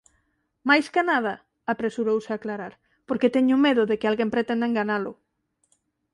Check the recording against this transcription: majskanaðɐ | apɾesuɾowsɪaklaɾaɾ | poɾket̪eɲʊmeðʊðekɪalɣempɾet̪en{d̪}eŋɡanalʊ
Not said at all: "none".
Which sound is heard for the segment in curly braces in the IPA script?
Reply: d̪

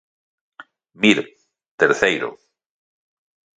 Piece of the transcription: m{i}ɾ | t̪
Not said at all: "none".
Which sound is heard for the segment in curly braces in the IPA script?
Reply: i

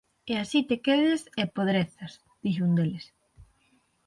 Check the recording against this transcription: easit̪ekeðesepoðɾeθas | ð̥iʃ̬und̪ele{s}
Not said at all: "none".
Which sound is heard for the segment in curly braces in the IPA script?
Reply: s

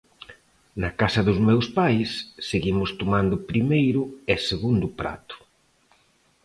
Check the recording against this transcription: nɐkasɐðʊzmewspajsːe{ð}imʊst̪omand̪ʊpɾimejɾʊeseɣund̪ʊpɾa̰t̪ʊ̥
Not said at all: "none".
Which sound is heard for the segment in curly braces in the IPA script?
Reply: ɣ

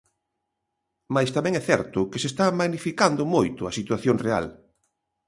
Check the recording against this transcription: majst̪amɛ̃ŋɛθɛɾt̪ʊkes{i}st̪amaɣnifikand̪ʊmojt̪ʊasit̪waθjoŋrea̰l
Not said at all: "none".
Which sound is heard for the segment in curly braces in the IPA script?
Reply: e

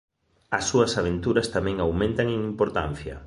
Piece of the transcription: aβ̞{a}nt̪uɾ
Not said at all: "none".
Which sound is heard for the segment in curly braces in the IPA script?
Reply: e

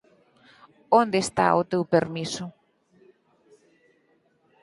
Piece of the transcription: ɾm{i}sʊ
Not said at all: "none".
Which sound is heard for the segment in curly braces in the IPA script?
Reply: i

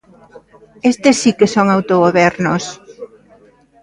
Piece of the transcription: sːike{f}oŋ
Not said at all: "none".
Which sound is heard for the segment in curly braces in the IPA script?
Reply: s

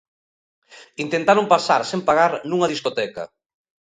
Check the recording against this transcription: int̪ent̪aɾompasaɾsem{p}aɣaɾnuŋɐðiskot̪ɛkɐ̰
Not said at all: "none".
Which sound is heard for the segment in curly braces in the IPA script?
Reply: p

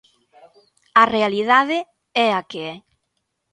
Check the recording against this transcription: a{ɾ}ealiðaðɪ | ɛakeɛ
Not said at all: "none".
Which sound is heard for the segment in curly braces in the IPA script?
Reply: r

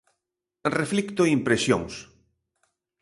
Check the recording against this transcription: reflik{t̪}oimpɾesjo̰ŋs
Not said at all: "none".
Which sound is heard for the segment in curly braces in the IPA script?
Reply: t̪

